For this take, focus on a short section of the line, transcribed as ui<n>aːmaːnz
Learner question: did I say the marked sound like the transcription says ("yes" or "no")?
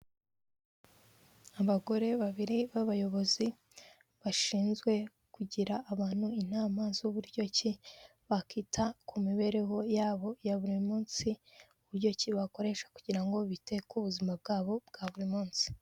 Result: yes